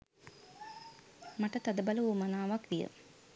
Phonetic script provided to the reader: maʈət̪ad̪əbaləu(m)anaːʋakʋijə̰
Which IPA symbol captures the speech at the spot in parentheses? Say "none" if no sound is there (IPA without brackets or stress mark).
m